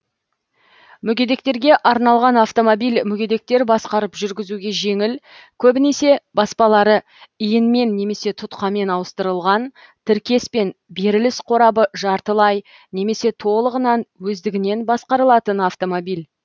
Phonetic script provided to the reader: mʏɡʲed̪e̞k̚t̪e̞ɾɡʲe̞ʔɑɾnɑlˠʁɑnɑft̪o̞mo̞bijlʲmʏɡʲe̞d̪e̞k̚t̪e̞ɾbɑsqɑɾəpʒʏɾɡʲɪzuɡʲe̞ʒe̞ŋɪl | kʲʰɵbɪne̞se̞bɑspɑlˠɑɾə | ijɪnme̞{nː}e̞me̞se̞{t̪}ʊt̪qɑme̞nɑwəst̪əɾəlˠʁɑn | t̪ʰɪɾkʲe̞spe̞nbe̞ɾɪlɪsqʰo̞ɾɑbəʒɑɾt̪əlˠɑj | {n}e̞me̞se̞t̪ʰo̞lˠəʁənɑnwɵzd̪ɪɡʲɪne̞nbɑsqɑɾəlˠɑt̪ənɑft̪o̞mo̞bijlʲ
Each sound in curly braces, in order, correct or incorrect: correct, incorrect: t̪ʰ, correct

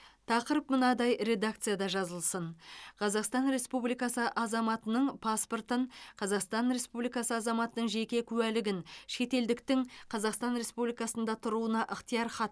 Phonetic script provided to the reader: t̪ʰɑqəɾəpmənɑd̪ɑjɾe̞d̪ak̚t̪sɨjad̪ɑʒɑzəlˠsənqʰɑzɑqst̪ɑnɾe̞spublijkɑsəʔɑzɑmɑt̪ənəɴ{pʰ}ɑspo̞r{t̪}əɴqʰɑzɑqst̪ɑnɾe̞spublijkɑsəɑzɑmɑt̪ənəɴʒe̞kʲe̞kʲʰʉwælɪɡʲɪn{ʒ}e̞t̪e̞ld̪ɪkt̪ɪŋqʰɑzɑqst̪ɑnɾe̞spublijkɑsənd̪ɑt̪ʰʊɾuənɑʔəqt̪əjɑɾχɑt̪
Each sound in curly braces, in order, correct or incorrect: correct, correct, incorrect: ʃ

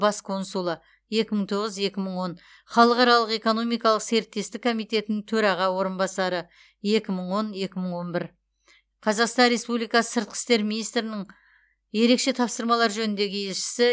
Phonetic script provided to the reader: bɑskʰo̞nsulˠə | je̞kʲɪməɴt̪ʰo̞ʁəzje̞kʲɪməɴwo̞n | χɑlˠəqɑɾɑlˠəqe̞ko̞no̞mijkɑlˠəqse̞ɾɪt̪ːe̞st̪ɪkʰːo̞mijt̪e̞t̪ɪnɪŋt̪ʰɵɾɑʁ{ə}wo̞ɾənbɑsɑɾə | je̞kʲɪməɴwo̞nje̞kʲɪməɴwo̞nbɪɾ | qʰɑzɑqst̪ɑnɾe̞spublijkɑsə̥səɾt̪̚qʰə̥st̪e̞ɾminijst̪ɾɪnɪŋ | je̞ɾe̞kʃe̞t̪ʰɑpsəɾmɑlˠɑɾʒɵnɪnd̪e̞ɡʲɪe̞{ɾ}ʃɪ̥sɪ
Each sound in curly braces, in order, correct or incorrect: incorrect: ɑ, incorrect: l

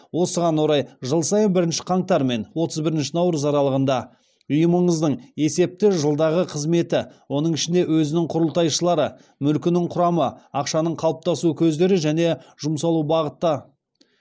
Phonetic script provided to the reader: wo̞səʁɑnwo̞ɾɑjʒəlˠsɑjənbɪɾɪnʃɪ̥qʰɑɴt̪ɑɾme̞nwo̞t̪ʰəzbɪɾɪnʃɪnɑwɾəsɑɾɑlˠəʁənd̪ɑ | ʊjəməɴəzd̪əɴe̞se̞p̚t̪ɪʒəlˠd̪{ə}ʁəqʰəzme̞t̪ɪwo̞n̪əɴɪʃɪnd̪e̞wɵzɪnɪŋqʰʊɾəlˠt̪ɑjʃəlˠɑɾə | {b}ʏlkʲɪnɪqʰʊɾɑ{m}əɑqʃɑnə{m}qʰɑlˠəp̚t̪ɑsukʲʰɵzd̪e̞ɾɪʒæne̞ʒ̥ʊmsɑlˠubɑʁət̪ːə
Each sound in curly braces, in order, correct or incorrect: incorrect: ɑ, incorrect: m, correct, incorrect: ɴ

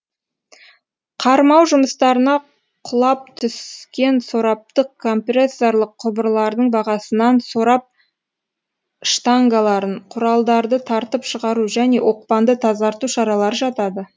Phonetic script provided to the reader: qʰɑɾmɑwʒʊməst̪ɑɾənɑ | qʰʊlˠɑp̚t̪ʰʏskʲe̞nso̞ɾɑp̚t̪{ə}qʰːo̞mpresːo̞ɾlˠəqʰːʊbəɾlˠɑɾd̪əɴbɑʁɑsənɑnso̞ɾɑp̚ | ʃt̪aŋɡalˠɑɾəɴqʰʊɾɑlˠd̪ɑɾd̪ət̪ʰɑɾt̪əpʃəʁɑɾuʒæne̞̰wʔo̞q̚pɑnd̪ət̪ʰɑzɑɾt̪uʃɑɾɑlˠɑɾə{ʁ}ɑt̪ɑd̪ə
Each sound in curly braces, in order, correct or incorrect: correct, incorrect: ʒ

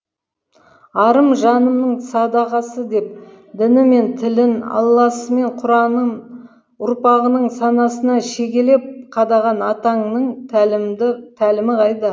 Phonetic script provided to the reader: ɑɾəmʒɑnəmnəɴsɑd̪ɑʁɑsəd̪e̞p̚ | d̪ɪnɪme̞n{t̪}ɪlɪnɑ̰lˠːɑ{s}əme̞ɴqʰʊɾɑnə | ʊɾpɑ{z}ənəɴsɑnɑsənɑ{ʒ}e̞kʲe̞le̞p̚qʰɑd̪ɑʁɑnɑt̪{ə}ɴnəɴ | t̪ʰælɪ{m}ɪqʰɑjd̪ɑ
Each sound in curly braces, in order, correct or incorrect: incorrect: t̪ʰ, correct, incorrect: ʁ, incorrect: ʃ, incorrect: ɑ, correct

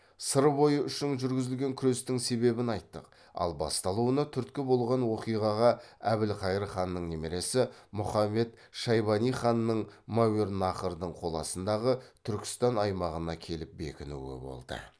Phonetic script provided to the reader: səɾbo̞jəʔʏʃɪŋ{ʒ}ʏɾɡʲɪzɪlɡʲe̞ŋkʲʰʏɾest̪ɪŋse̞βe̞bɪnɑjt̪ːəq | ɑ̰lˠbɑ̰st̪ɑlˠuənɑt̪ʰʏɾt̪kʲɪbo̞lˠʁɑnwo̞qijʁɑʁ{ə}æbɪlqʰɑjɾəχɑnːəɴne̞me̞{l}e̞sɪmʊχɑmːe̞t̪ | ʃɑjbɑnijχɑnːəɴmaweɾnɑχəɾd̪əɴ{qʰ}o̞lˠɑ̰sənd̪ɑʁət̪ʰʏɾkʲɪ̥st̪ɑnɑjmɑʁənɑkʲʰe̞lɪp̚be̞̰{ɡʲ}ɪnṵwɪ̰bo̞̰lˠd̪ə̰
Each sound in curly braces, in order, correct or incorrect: correct, incorrect: ɑ, incorrect: ɾ, correct, incorrect: kʲ

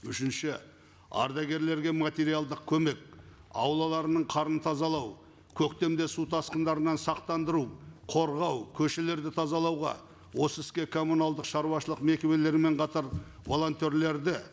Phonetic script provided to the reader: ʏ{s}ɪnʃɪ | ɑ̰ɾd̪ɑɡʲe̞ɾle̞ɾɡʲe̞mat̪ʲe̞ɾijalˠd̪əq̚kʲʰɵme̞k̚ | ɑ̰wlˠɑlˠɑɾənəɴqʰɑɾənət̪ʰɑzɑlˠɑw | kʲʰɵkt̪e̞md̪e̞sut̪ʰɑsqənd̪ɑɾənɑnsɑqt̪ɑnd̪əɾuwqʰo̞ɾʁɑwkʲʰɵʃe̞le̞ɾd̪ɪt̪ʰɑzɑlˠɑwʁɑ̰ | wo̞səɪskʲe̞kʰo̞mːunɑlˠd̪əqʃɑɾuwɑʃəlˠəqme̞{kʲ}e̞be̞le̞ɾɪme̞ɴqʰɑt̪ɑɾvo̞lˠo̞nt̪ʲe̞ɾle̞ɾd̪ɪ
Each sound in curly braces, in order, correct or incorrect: incorrect: ʃ, correct

